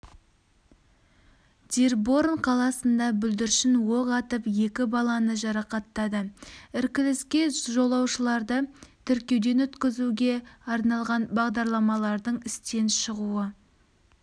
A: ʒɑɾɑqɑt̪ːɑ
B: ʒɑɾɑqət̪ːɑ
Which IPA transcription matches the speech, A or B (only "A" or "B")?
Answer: A